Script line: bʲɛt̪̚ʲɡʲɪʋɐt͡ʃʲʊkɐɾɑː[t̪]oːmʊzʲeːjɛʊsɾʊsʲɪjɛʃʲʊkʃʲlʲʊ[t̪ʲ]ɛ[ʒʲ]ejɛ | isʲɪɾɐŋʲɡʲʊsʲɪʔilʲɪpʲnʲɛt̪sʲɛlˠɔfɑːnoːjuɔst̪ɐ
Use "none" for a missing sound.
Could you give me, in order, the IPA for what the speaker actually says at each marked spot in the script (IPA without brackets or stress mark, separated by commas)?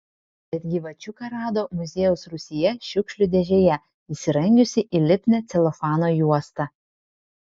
d̪, d̪ʲ, ʒʲ